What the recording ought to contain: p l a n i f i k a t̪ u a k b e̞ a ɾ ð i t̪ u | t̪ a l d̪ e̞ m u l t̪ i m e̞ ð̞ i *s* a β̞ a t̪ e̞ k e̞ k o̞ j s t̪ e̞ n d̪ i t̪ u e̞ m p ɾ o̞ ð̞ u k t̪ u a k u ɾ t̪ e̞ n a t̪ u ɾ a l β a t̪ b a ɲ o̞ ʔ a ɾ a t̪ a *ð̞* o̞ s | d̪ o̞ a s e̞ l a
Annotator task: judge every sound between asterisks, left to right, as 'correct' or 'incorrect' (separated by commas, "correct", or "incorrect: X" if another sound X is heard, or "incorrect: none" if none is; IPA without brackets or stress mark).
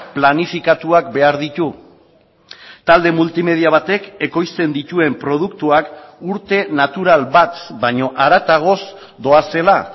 incorrect: none, incorrect: ɣ̞